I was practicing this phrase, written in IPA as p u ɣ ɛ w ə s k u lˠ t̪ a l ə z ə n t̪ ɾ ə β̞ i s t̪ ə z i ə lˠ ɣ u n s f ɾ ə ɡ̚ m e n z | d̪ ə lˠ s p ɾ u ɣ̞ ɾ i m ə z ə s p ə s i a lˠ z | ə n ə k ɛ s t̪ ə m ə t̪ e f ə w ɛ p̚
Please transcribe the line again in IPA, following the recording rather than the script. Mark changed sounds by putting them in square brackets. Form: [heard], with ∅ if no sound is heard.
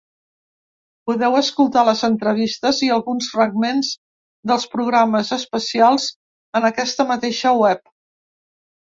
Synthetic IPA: p u [ð] ɛ w ə s k u lˠ t̪ a l ə z ə n t̪ ɾ ə β̞ i s t̪ ə z i ə lˠ ɣ u n s f ɾ ə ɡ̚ m e n z | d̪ ə lˠ s p ɾ u ɣ̞ ɾ [a] m ə z ə s p ə s i a lˠ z | ə n ə k ɛ s t̪ ə m ə t̪ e [ʃ] ə w ɛ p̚